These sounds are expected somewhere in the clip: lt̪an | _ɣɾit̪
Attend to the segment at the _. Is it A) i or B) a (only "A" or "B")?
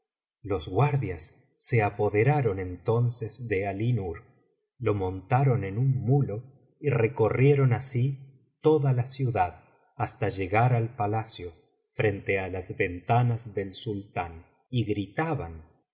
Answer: A